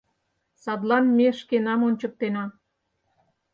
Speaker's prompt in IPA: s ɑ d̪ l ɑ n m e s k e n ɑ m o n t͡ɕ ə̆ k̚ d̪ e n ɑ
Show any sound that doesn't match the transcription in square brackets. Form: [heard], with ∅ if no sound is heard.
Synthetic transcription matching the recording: s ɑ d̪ l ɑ n m e [ʃ] k e n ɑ m o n t͡ɕ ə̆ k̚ [t̪] e n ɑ